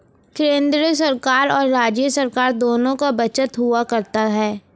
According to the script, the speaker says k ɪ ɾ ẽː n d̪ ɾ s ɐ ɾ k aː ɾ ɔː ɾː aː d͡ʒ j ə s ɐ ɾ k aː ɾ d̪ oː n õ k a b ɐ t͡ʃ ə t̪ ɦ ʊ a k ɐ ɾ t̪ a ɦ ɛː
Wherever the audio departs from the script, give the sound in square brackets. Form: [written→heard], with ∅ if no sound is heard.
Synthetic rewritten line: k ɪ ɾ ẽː n d̪ ɾ s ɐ ɾ k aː ɾ ɔː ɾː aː d͡ʒ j ə s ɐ ɾ k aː ɾ d̪ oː n õ k a b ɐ t͡ʃ ə t̪ ɦ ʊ a k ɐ ɾ t̪ a ɦ ɛː

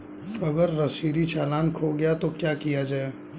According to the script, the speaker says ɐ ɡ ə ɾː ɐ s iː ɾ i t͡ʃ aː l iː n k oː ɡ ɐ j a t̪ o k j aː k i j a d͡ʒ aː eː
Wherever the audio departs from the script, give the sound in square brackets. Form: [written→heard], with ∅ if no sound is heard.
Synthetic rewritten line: ɐ ɡ ə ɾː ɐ s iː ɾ i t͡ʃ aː l [iː→aː] n [k→kʰ] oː ɡ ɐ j a t̪ o k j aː k i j a d͡ʒ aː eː

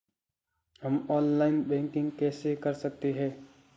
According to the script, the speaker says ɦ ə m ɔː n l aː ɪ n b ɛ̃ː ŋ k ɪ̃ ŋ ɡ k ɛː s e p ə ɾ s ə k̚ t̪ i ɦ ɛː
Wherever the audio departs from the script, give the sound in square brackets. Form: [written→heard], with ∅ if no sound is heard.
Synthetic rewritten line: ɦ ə m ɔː n l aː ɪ n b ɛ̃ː ŋ k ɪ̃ ŋ ɡ k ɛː s e [p→k] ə ɾ s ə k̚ t̪ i ɦ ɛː

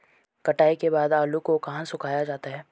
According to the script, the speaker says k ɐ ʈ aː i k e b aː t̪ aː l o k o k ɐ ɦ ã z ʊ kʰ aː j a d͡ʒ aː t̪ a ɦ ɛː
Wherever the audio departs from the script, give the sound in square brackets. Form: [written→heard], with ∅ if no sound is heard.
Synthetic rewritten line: k ɐ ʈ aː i k e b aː [t̪→d̪] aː l [o→u] k o k ɐ ɦ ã [z→s] ʊ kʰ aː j a d͡ʒ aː t̪ a ɦ ɛː

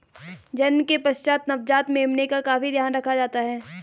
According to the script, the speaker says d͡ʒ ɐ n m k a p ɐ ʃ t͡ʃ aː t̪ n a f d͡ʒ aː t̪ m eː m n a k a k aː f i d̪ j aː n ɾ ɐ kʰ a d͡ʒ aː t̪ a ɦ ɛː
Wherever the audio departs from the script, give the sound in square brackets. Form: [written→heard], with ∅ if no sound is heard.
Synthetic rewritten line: d͡ʒ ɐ n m k [a→e] p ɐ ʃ t͡ʃ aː t̪ n [a→ɐ] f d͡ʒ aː t̪ m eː m n [a→e] k a k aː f i d̪ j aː n ɾ ɐ kʰ a d͡ʒ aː t̪ a ɦ ɛː

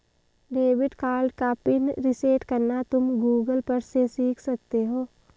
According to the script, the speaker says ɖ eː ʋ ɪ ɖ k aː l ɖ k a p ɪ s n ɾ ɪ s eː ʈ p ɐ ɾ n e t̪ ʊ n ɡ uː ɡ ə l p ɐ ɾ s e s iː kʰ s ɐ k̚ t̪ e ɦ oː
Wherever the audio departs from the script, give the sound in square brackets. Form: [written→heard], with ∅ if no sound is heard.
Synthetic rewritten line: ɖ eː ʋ ɪ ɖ k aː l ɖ k a p ɪ [s→∅] n ɾ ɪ s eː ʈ [p→k] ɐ ɾ n [e→a] t̪ ʊ [n→m] ɡ uː ɡ ə l p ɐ ɾ s e s iː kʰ s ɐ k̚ t̪ e ɦ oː

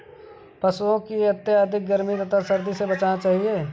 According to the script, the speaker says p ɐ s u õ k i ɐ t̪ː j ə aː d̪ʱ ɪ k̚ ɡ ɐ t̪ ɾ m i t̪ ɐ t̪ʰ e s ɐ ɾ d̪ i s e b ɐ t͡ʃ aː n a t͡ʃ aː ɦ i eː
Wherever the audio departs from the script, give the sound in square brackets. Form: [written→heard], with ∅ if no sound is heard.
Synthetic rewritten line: p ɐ s u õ k i ɐ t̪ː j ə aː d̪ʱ ɪ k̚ ɡ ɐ [t̪→∅] ɾ m i t̪ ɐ t̪ʰ [e→a] s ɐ ɾ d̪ i s e b ɐ t͡ʃ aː n a t͡ʃ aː ɦ i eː

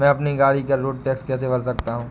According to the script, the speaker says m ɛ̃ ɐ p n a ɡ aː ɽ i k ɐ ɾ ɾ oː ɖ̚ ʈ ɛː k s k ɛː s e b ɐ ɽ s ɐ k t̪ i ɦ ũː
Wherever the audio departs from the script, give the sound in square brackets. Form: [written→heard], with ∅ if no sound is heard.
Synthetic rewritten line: m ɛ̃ ɐ p n [a→i] ɡ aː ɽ i k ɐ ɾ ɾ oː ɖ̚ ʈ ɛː k s k ɛː s e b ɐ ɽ s ɐ k t̪ [i→a] ɦ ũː

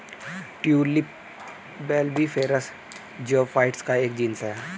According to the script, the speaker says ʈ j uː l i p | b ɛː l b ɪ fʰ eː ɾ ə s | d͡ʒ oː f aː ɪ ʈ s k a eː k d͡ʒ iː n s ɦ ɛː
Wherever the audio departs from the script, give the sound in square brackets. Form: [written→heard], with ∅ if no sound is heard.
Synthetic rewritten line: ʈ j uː l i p | b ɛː l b [ɪ→i] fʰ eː ɾ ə s | d͡ʒ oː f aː ɪ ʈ s k a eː k d͡ʒ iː n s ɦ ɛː

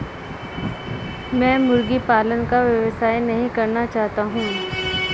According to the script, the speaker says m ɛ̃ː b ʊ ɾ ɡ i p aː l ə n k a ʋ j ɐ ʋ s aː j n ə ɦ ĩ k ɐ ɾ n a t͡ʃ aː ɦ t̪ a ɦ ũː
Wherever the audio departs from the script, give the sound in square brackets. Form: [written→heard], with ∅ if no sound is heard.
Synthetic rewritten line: m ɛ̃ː [b→m] ʊ ɾ ɡ i p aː l ə n k a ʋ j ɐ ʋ s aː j n [ə→ɐ] ɦ ĩ k ɐ ɾ n a t͡ʃ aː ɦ t̪ a ɦ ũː

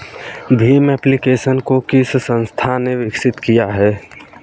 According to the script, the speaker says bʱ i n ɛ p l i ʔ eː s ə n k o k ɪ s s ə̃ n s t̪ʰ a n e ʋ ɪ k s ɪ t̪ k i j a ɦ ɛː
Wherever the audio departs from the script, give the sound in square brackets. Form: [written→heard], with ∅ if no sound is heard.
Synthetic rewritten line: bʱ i [n→m] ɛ p l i [ʔ→k] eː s ə n k o k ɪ s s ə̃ n s t̪ʰ a n e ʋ ɪ k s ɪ t̪ k i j a ɦ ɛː

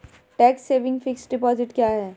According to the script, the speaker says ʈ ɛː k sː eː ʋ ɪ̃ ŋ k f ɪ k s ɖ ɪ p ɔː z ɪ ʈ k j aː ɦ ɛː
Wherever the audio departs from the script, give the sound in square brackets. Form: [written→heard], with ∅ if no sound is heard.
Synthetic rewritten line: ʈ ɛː k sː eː ʋ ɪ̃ ŋ [k→ɡ] f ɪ k s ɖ ɪ p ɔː z ɪ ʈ k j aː ɦ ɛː

